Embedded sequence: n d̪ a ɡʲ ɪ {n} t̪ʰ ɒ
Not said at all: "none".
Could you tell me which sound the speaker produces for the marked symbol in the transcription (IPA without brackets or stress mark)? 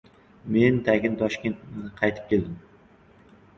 n